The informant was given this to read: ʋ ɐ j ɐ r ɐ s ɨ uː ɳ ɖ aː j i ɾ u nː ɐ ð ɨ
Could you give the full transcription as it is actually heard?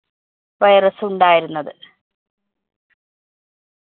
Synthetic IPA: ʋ ɐ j ɐ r ɐ s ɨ u ɳ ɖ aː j i ɾ u nː ɐ ð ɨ